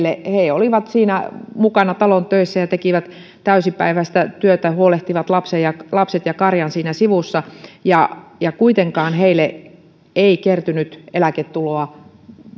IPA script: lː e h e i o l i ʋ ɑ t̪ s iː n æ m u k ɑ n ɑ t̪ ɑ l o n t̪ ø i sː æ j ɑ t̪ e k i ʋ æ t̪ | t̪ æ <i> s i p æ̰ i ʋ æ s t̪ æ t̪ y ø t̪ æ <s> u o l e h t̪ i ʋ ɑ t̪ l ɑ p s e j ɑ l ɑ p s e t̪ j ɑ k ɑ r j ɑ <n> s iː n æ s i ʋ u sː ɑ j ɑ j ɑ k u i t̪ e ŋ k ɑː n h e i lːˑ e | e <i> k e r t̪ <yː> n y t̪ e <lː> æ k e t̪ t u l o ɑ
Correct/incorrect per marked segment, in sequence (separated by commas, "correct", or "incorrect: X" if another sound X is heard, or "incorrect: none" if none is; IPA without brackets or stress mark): incorrect: y, incorrect: h, correct, correct, incorrect: y, incorrect: l